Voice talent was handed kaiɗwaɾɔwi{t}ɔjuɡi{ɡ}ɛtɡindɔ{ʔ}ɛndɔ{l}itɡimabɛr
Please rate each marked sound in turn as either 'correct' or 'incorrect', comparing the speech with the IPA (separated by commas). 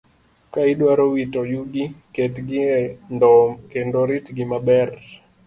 correct, incorrect, incorrect, incorrect